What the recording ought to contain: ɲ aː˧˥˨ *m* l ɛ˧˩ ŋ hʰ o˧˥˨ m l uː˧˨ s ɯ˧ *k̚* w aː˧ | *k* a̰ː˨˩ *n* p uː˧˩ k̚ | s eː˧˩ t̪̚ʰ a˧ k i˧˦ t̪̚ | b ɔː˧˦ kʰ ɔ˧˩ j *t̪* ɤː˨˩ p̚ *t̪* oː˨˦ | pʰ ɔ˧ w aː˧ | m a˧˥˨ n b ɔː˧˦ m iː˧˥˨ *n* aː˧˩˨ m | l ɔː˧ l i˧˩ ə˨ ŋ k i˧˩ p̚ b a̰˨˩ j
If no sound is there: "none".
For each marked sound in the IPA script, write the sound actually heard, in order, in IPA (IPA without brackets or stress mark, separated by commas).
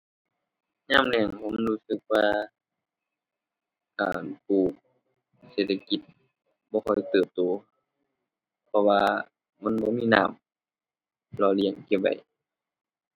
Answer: m, k̚, k, n, t̪, t̪, n